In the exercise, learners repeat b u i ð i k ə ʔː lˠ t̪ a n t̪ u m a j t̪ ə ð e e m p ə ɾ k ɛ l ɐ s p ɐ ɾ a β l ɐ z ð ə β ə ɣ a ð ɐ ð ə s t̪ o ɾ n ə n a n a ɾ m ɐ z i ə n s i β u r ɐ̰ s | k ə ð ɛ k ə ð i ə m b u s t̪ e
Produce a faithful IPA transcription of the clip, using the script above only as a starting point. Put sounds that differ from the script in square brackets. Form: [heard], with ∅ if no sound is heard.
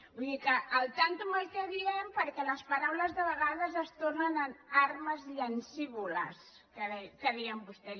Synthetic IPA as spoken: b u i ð i k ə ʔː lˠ t̪ a n t̪ u m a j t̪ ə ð [i] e m p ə ɾ k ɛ l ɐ s p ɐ ɾ a [w] l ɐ z ð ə β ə ɣ a ð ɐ [z] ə s t̪ o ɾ n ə n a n a ɾ m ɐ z i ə n s i β u [l] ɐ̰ s | k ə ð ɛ k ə ð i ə m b u s t̪ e